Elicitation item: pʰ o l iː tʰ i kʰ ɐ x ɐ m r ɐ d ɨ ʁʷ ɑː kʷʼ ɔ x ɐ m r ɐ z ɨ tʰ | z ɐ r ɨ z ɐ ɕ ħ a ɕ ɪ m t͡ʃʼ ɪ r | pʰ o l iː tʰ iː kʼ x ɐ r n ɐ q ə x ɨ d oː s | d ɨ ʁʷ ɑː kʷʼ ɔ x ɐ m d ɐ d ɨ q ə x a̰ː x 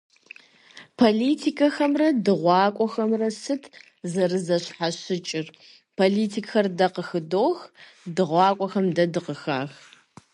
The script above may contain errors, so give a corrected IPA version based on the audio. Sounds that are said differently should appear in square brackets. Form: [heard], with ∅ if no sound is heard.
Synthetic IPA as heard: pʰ o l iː tʰ i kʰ ɐ x ɐ m r ɐ d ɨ ʁʷ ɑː kʷʼ ɔ x ɐ m r ɐ [s] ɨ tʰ | z ɐ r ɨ z ɐ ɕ ħ a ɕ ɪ [∅] t͡ʃʼ ɪ r | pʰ o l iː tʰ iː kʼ x ɐ r [d] ɐ q ə x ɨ d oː [x] | d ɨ ʁʷ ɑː kʷʼ ɔ x ɐ m d ɐ d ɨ q ə x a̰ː x